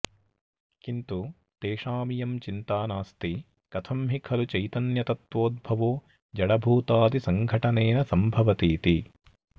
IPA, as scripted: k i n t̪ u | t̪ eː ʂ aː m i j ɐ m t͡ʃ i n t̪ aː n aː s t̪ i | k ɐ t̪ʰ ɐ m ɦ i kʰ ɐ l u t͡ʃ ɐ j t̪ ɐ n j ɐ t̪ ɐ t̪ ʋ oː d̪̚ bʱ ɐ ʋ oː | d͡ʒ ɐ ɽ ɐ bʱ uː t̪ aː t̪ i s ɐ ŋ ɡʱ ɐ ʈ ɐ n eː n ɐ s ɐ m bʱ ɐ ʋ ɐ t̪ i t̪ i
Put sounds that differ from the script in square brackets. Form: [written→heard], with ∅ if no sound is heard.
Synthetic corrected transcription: k i n t̪ u | t̪ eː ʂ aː m i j ɐ m t͡ʃ i n t̪ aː n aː s t̪ i | k ɐ t̪ʰ ɐ m ɦ i kʰ ɐ l u t͡ʃ ɐ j t̪ ɐ n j ɐ t̪ ɐ t̪ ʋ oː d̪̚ bʱ ɐ ʋ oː | d͡ʒ ɐ ɽ ɐ bʱ uː t̪ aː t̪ i s ɐ ŋ ɡʱ ɐ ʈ ɐ n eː n ɐ s ɐ m bʱ ɐ ʋ ɐ t̪ [i→iː] t̪ i